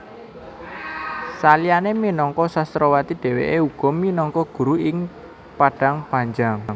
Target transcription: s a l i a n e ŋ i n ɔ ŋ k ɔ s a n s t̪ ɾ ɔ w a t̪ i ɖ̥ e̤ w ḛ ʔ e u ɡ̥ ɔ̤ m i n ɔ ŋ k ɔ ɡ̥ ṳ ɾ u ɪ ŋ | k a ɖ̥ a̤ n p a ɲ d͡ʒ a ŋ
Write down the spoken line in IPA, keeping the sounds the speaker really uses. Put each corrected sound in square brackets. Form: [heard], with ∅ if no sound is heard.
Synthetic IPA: s a l i a n e [m] i n ɔ ŋ k ɔ s a [∅] s t̪ ɾ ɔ w a t̪ i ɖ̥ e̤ w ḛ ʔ e u ɡ̥ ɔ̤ m i n ɔ ŋ k ɔ ɡ̥ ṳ ɾ u ɪ ŋ | [p] a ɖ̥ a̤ [ŋ] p a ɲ d͡ʒ a ŋ

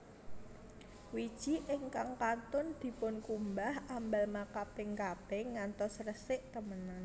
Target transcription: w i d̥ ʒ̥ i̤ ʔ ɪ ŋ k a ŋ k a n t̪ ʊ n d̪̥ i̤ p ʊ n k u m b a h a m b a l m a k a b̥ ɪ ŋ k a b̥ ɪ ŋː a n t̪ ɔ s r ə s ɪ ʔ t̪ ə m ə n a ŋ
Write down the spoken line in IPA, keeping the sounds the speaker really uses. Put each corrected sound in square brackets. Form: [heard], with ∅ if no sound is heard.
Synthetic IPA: w i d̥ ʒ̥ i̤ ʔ ɪ ŋ k a ŋ k a n t̪ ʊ n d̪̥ i̤ p ʊ n k u m b a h a m b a l m a k a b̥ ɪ ŋ k a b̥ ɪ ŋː a n t̪ ɔ s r ə s ɪ ʔ t̪ ə m ə n a [n]

